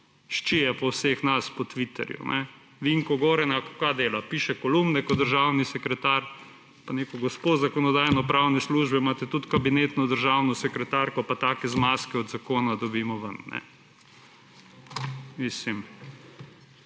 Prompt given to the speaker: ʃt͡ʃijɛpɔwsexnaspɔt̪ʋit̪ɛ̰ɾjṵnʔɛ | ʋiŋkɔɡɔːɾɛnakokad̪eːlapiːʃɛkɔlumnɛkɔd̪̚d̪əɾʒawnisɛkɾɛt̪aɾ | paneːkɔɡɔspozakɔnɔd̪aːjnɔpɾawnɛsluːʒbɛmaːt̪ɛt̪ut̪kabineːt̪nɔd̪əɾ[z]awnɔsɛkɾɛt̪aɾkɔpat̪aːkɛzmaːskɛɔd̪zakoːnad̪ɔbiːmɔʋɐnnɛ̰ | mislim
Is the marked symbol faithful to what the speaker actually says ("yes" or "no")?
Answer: no